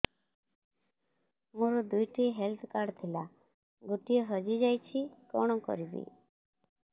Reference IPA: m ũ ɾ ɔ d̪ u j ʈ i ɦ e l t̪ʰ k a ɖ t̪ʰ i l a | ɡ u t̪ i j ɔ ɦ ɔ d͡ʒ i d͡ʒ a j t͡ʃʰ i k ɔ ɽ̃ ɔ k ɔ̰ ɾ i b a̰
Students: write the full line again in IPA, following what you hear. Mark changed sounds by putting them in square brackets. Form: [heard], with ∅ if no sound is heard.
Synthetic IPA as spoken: m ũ ɾ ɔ d̪ u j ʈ i ɦ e l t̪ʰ k a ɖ t̪ʰ i l a | ɡ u t̪ i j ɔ ɦ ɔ d͡ʒ i d͡ʒ a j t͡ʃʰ i k ɔ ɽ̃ ɔ k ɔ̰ ɾ i b [ḭ]